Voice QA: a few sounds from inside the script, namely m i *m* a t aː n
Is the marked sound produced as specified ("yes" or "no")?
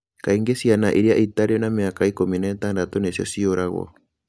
no